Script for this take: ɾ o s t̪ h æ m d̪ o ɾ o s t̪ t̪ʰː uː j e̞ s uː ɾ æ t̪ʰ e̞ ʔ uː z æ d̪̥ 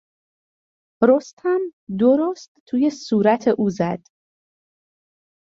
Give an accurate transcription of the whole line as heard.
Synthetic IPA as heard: ɾ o s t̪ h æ m d̪ o ɾ o s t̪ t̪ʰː uː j e̞ s uː ɾ æ t̪ʰ e̞ ʔ uː z æ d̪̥